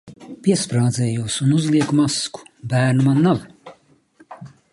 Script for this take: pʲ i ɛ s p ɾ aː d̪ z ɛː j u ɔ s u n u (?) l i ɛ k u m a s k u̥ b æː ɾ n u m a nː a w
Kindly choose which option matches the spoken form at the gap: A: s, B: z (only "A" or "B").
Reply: B